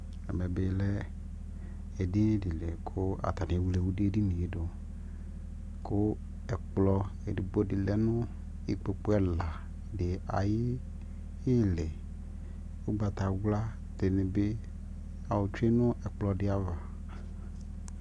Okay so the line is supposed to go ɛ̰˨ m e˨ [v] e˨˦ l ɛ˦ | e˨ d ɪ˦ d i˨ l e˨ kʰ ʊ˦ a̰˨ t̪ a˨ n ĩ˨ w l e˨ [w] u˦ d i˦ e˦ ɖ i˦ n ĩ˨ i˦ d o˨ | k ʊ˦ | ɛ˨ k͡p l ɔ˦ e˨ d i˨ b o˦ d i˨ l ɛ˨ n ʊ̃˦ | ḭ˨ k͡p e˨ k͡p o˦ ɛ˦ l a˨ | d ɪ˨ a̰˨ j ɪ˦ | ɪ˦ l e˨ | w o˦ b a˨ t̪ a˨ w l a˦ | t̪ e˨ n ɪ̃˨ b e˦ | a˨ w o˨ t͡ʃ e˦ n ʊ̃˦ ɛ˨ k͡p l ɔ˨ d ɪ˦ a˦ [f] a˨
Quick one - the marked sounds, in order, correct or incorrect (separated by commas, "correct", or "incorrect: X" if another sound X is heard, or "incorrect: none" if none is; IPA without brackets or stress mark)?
incorrect: b, correct, incorrect: v